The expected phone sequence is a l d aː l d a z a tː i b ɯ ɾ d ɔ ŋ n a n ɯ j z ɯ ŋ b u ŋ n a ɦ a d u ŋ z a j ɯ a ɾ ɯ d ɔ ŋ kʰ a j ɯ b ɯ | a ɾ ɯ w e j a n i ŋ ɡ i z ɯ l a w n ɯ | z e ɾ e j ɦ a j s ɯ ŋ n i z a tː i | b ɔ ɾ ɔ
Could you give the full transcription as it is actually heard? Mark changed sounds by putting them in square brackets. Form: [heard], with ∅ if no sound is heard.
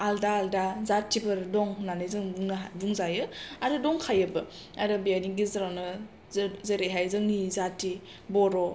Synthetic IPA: a l d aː l d a z a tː i b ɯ ɾ d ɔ ŋ n a n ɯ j z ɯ ŋ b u ŋ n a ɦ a [b] u ŋ z a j ɯ a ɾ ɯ d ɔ ŋ kʰ a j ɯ b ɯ | a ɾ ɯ [b] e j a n i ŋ ɡ i z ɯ [ɾ] a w n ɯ | z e ɾ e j ɦ a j [z] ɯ ŋ n i z a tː i | b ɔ ɾ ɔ